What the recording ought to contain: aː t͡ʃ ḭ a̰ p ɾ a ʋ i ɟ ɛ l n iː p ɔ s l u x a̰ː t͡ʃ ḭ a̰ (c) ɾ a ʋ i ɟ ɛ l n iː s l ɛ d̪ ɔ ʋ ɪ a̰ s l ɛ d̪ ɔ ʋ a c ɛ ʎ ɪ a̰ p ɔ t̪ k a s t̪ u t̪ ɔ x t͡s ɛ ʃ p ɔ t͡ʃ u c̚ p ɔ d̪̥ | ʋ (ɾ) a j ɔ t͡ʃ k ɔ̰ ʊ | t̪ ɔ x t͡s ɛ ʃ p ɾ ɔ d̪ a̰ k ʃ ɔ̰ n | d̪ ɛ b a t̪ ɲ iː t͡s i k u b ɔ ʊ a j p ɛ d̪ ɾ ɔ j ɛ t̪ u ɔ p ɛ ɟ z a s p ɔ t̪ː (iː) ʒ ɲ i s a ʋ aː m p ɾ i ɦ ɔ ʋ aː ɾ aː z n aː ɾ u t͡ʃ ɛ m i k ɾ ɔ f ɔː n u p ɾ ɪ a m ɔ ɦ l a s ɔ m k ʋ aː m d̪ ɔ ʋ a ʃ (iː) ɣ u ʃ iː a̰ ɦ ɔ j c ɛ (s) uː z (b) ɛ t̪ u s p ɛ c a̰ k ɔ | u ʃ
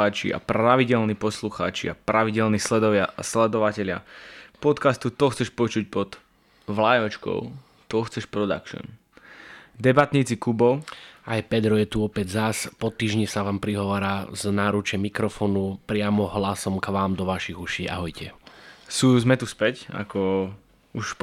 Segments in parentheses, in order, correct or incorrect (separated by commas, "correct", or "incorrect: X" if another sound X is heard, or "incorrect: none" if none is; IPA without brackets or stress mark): incorrect: p, incorrect: l, correct, incorrect: i, correct, incorrect: m